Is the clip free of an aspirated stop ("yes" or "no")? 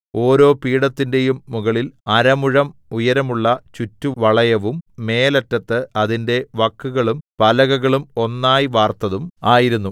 yes